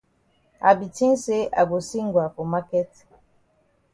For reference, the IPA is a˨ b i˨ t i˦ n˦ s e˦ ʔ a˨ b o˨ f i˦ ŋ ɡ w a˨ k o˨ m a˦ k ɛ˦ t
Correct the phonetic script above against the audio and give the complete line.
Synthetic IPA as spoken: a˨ b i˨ t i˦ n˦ s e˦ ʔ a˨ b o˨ s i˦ ŋ ɡ w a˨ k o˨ m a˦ k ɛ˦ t